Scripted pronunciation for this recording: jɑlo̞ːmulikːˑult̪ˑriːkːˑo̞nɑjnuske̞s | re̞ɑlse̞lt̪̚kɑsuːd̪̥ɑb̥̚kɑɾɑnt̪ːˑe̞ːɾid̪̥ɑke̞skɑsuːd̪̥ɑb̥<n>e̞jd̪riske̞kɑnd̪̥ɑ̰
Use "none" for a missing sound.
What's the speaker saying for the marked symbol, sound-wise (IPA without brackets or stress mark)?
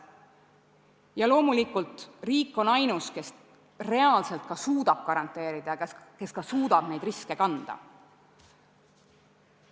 n